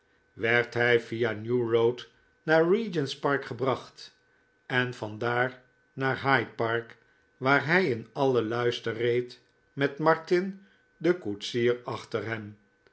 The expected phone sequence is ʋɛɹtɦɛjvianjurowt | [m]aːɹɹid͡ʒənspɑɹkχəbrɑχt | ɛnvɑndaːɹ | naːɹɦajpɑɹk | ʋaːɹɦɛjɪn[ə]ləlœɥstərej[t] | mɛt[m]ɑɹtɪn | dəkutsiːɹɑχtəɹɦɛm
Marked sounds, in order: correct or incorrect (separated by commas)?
incorrect, incorrect, correct, correct